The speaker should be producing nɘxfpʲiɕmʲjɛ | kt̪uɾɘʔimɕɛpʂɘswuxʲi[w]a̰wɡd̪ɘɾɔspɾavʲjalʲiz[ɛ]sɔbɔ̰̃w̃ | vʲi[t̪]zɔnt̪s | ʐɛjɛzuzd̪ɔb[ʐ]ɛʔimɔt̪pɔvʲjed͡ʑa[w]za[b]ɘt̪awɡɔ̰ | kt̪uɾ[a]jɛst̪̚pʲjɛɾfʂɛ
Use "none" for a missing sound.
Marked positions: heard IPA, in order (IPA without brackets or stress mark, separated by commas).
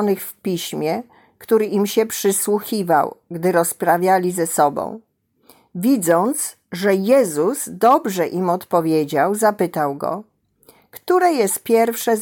v, ɛ, d̪, ʐ, w, p, ɛ